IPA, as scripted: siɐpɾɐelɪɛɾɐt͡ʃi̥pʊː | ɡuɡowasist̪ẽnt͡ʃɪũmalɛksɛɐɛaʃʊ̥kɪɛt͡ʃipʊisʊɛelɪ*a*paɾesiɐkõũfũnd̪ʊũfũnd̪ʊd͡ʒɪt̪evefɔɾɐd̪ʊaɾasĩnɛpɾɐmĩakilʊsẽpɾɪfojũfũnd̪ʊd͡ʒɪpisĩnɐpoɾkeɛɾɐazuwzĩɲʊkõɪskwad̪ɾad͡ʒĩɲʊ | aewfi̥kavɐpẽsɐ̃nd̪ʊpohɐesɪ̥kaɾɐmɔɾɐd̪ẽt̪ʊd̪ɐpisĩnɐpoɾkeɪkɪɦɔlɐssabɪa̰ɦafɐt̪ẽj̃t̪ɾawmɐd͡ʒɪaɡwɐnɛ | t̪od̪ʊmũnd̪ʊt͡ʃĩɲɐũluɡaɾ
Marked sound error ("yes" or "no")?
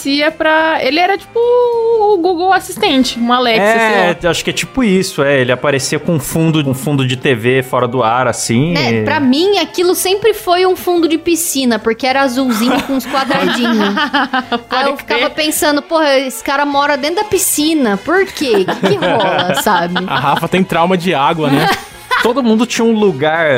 no